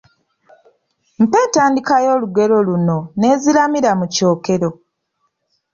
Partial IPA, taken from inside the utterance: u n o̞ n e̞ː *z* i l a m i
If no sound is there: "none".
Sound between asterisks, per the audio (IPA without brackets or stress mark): z